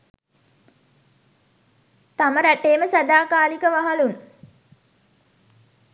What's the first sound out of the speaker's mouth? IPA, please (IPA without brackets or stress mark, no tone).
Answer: t̪